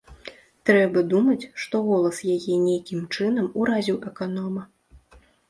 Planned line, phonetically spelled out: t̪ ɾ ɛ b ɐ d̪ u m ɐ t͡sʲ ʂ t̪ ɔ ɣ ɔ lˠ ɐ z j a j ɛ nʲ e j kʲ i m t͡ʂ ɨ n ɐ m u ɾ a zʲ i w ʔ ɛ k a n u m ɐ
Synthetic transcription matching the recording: t̪ ɾ ɛ b ɐ d̪ u m ɐ t͡sʲ ʂ t̪ ɔ ɣ ɔ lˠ ɐ s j a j ɛ nʲ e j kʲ i m t͡ʂ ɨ n ɐ m u ɾ a zʲ i w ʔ ɛ k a n ɔ m ɐ